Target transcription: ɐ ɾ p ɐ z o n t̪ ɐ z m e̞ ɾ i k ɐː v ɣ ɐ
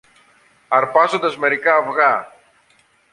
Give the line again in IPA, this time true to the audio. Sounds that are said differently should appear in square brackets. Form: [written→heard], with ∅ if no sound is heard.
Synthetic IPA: ɐ ɾ p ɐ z o n [t̪→d̪] ɐ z m e̞ ɾ i k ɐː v ɣ ɐ